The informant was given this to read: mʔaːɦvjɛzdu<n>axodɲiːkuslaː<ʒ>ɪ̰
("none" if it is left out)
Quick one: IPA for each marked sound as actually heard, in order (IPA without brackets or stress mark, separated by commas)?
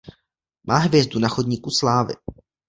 n, v